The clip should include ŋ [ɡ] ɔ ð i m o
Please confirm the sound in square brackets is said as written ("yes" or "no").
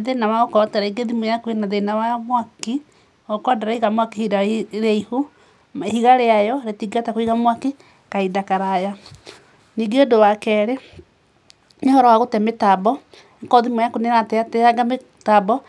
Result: no